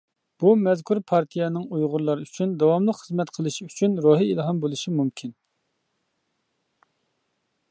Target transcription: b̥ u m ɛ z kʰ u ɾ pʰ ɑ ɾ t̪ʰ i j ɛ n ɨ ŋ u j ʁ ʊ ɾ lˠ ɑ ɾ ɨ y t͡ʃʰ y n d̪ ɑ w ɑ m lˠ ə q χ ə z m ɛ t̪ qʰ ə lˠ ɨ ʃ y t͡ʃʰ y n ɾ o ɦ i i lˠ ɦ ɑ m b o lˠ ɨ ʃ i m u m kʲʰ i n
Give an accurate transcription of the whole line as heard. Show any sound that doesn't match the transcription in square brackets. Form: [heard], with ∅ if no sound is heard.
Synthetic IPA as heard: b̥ u m ɛ z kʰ u ɾ pʰ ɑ ɾ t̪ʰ i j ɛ n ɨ ŋ u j ʁ ʊ ɾ lˠ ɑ ɾ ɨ y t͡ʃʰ y n d̪ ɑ w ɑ m lˠ ə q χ ə z m ɛ t̪ qʰ ə lˠ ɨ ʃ y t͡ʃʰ y n ɾ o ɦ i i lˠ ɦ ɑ m b o lˠ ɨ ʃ i m u m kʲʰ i n